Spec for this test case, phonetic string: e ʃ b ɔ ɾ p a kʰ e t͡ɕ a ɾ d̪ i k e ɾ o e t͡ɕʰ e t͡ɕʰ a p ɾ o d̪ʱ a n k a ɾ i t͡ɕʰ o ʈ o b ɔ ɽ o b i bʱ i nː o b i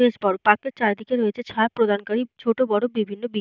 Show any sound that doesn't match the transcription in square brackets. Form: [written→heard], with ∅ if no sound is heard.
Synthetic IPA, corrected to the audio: e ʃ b ɔ ɾ p a [kʰ→k] e t͡ɕ a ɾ d̪ i k e ɾ o e t͡ɕʰ e t͡ɕʰ a p ɾ o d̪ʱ a n k a ɾ i t͡ɕʰ o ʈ o b ɔ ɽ o b i bʱ i nː o b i